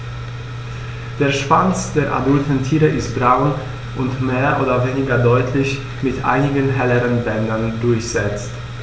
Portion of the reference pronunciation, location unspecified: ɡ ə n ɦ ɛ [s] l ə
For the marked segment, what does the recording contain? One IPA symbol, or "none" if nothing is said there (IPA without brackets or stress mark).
none